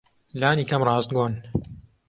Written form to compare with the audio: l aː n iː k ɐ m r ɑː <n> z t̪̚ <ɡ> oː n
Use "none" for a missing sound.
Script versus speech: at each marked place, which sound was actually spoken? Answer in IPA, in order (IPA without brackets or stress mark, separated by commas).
none, ɡ